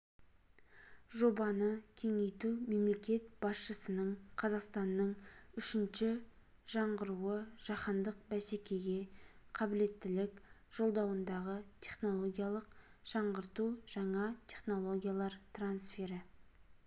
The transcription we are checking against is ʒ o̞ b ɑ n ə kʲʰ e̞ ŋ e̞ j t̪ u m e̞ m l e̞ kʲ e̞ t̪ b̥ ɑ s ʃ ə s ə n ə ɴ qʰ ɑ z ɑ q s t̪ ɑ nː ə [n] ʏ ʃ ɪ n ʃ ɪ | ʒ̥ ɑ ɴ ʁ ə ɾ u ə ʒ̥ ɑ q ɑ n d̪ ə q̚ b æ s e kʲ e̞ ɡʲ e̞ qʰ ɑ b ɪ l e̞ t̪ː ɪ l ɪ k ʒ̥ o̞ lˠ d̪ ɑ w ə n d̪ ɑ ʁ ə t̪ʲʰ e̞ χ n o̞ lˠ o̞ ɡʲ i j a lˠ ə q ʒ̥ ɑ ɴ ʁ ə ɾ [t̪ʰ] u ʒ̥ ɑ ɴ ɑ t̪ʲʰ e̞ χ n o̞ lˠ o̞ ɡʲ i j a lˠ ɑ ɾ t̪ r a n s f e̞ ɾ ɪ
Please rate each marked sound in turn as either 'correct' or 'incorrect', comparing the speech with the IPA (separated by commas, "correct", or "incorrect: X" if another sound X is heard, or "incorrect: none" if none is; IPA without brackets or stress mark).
incorrect: ɴ, incorrect: t̪